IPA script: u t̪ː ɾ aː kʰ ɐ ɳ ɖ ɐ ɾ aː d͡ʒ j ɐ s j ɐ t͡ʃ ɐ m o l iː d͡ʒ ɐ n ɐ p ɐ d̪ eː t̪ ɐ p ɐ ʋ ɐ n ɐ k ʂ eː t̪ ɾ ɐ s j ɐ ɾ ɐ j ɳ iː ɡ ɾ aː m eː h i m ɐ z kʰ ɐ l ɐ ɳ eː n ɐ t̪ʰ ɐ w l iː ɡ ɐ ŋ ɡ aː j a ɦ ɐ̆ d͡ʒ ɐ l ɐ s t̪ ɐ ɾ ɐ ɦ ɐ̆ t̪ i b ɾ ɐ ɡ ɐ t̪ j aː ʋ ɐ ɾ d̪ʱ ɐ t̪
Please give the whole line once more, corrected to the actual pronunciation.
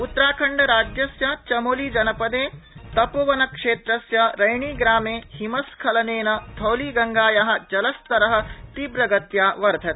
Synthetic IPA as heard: u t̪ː ɾ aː kʰ ɐ ɳ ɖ ɐ ɾ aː d͡ʒ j ɐ s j ɐ t͡ʃ ɐ m o l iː d͡ʒ ɐ n ɐ p ɐ d̪ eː t̪ ɐ p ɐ ʋ ɐ n ɐ k ʂ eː t̪ ɾ ɐ s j ɐ ɾ ɐ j ɳ iː ɡ ɾ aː m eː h i m ɐ s kʰ ɐ l ɐ n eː n ɐ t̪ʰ ɐ w l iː ɡ ɐ ŋ ɡ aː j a ɦ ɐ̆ d͡ʒ ɐ l ɐ s t̪ ɐ ɾ ɐ ɦ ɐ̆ t̪ i b ɾ ɐ ɡ ɐ t̪ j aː ʋ ɐ ɾ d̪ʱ ɐ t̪